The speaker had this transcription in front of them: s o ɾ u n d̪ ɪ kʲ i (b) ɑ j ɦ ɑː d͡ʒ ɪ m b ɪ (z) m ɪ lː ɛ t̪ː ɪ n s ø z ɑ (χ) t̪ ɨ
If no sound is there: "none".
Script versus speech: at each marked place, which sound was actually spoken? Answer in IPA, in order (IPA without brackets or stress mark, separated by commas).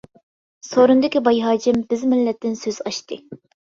b, z, ʃ